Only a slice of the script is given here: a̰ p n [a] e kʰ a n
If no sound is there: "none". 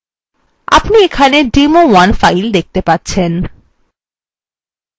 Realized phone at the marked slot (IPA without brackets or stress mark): i